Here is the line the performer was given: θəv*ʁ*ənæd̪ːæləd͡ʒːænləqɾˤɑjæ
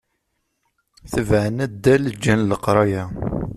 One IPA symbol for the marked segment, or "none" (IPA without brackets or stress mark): ʕ